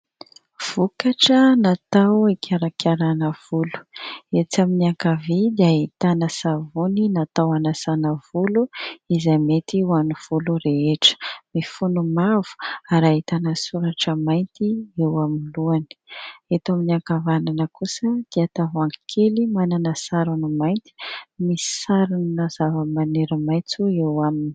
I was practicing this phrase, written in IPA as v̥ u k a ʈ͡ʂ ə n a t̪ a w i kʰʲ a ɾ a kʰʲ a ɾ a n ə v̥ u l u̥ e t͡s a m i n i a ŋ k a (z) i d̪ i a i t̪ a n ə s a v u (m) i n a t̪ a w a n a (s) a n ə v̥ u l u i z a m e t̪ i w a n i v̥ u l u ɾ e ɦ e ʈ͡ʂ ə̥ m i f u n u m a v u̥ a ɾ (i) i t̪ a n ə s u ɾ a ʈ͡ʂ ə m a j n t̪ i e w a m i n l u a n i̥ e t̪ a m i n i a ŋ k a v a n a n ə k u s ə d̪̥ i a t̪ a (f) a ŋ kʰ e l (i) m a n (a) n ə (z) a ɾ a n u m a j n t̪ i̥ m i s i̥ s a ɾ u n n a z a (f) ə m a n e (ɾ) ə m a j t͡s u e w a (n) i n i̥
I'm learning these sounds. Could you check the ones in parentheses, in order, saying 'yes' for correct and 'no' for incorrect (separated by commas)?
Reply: no, no, yes, no, no, yes, yes, no, no, yes, no